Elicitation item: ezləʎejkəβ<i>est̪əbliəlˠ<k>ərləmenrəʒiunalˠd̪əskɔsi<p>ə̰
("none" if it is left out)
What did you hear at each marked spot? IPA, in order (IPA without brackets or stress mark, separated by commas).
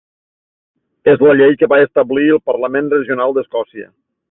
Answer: a, p, none